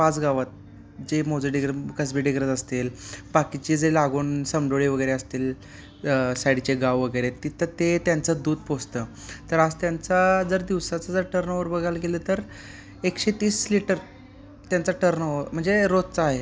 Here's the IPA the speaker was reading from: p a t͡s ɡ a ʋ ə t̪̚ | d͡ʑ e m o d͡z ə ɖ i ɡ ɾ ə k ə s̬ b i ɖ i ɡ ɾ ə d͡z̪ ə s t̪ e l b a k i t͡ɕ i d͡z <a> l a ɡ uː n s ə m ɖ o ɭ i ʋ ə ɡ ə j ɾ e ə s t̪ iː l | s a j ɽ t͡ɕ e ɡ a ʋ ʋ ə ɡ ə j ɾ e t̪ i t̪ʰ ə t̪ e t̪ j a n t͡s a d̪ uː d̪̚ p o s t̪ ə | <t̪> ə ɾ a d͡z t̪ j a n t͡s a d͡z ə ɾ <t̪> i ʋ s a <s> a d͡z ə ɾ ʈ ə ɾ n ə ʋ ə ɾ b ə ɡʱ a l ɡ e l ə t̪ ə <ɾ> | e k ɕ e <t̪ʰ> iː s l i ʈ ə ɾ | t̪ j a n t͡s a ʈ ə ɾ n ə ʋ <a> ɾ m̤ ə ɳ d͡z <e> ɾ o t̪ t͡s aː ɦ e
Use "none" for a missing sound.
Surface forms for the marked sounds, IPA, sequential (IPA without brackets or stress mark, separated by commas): e, t̪, d̪, t͡s, ɾ, t̪, ə, e